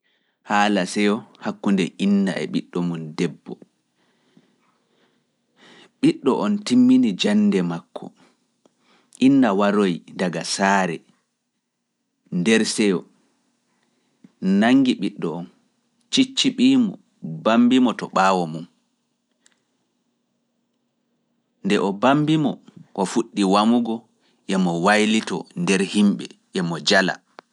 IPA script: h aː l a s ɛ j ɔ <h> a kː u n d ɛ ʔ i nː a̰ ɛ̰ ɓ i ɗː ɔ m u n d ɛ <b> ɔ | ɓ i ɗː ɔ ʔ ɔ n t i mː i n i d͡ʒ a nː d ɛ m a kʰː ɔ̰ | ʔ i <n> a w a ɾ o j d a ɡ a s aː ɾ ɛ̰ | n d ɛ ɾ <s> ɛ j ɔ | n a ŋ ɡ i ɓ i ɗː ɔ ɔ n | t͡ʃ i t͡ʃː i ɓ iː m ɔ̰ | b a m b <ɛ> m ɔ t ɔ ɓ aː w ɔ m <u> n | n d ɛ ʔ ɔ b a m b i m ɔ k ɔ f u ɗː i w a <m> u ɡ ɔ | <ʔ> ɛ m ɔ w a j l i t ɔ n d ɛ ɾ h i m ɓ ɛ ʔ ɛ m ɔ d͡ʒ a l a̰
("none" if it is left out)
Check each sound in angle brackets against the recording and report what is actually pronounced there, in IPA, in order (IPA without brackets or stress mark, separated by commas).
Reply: h, bː, nː, s, i, u, m, ʔ